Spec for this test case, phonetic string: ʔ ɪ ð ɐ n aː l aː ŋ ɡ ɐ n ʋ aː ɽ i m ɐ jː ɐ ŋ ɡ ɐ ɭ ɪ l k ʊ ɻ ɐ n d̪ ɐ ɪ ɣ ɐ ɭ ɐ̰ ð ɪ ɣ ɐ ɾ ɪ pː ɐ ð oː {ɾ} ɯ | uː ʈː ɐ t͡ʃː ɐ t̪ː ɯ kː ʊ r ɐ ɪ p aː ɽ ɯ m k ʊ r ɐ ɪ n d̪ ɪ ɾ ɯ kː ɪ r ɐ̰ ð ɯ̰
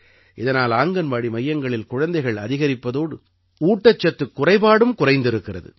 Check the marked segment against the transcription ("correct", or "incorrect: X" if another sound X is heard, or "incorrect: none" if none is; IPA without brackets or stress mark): incorrect: ɽ